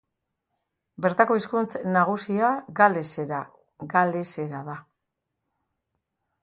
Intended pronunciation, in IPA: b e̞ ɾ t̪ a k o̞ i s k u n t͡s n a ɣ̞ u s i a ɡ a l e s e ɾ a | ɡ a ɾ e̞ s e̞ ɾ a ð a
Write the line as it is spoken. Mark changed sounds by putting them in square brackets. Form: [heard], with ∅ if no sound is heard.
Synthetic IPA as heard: b e̞ ɾ t̪ a k o̞ i s k u n t͡s n a ɣ̞ u s i a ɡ a l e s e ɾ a | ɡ a [l] e̞ s e̞ ɾ a ð a